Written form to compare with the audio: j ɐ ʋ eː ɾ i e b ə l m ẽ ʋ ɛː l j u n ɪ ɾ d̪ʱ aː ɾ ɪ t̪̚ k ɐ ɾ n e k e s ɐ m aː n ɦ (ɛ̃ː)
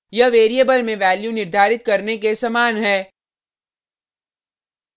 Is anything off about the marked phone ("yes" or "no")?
yes